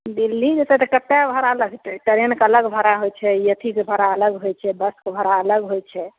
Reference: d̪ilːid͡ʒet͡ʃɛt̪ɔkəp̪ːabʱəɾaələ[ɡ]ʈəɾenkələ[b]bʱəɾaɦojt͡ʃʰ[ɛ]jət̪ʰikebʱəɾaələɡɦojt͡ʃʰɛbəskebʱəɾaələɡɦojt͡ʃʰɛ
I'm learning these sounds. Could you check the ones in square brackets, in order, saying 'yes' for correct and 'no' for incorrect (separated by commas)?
yes, no, yes